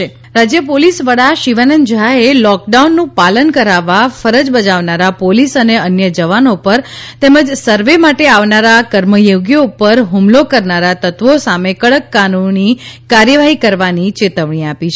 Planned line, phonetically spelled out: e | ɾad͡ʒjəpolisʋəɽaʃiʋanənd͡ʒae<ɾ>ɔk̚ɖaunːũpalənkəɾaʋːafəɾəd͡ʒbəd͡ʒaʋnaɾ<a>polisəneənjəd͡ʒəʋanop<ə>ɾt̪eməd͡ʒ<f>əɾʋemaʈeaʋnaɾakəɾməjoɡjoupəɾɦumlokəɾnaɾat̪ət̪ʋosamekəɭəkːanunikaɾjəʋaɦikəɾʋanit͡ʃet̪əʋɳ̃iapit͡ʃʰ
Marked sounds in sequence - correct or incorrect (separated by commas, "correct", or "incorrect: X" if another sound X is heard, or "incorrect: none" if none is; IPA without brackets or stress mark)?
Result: incorrect: l, correct, correct, incorrect: s